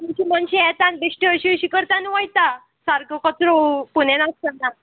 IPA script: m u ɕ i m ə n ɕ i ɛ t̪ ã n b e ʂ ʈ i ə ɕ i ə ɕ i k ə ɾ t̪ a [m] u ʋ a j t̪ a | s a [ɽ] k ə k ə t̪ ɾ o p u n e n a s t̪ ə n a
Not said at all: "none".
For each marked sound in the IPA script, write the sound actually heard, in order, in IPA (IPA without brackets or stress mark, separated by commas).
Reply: n, ɾ